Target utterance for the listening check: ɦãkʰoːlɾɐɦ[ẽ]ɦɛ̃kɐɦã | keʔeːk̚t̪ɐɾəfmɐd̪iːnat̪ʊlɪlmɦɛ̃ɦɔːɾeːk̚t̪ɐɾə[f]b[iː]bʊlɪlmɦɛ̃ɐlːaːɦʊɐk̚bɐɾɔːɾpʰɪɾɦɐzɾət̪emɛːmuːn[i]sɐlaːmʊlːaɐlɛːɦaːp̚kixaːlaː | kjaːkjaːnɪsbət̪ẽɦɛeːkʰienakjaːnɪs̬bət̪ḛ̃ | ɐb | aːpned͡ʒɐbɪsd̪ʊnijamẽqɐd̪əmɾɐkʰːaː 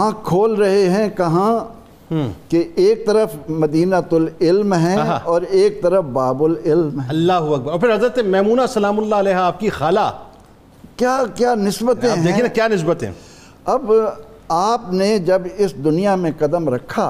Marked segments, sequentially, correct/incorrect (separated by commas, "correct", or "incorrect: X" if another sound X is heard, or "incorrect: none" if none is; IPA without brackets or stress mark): incorrect: e, correct, incorrect: aː, incorrect: a